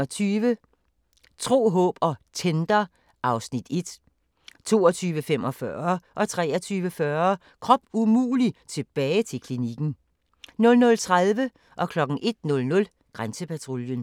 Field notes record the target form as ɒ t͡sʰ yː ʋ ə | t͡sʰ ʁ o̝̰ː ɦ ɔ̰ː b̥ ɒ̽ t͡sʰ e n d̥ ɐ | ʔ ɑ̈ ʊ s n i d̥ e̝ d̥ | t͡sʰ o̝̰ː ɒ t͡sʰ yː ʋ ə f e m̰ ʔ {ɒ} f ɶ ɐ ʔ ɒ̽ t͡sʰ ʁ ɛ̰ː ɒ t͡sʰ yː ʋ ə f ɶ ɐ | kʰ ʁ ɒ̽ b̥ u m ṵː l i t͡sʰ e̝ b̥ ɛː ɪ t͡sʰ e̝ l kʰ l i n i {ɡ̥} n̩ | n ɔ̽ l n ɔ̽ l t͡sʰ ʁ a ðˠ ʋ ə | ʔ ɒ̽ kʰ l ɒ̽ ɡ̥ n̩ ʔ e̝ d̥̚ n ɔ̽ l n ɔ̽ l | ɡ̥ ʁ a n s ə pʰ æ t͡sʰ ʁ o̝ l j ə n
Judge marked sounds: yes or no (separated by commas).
yes, yes